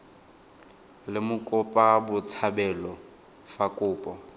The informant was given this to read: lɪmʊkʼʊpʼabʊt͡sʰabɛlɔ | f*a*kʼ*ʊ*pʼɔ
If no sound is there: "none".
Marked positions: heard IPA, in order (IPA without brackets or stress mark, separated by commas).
a, ʊː